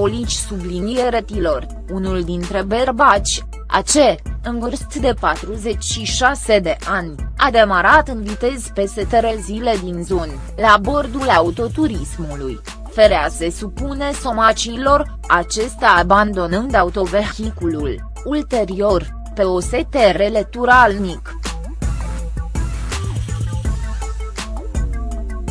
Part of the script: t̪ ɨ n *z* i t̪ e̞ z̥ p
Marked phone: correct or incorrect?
incorrect